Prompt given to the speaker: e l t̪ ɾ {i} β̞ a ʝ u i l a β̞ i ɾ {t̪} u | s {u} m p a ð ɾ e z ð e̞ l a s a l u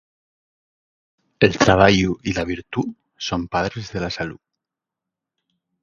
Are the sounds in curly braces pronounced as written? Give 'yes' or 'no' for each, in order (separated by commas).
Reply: no, yes, no